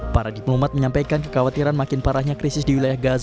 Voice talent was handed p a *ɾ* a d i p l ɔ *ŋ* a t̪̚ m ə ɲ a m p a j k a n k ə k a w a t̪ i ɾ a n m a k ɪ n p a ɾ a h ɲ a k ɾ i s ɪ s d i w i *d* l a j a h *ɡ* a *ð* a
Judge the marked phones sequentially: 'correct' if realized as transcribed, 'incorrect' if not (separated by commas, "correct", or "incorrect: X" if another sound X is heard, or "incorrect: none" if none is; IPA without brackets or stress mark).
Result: correct, incorrect: m, incorrect: none, correct, incorrect: z